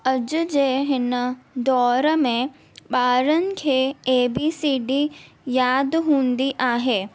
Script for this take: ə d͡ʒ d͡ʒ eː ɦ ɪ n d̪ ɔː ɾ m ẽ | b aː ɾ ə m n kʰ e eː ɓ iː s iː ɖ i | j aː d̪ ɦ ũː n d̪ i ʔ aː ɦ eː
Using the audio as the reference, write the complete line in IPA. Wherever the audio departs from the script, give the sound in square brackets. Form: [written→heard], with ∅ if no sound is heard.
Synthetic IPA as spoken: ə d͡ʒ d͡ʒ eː ɦ ɪ n d̪ ɔː ɾ m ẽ | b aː ɾ ə [m→∅] n kʰ e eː [ɓ→b] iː s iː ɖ i | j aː d̪ ɦ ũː n d̪ i ʔ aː ɦ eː